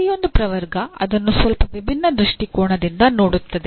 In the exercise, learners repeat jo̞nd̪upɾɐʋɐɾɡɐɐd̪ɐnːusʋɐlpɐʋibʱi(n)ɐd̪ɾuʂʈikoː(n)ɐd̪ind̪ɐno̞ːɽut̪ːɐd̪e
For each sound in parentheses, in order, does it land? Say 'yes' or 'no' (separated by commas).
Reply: no, no